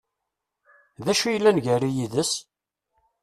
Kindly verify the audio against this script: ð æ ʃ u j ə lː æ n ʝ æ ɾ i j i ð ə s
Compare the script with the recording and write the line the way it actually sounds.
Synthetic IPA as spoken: ð æ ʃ u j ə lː æ n ʝ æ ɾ i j i ð ə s